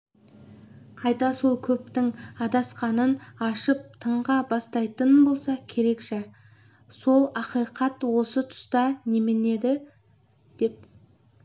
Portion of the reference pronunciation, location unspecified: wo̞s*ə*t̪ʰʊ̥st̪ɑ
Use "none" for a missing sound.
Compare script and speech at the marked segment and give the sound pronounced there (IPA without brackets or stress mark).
ə